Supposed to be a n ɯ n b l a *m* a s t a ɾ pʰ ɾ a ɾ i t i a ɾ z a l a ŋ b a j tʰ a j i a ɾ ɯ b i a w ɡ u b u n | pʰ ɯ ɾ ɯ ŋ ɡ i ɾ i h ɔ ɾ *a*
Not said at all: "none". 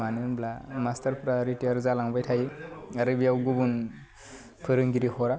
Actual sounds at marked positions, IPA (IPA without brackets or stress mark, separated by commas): m, a